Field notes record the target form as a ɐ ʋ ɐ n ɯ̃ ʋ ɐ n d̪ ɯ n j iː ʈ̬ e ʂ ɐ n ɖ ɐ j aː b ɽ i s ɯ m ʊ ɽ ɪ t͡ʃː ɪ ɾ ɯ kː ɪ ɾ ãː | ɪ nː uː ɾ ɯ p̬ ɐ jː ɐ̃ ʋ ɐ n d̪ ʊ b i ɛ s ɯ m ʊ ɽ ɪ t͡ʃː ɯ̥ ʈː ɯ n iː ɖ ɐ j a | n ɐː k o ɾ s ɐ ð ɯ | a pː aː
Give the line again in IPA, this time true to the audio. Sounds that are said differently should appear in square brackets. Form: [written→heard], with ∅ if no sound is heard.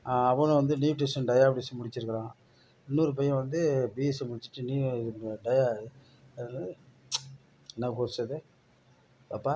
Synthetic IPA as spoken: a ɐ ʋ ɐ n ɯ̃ ʋ ɐ n d̪ ɯ n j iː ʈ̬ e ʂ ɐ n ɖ ɐ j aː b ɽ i s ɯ m ʊ ɽ ɪ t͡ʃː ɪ ɾ ɯ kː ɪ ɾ ãː | ɪ nː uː ɾ ɯ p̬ ɐ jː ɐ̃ ʋ ɐ n d̪ [ʊ→ɯ] b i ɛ s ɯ m ʊ ɽ ɪ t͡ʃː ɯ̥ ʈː ɯ n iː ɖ ɐ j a | n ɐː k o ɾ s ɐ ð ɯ | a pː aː